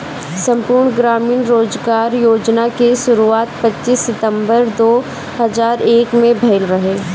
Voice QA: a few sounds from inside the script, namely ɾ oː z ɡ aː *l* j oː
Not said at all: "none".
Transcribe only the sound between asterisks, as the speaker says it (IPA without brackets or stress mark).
ɾ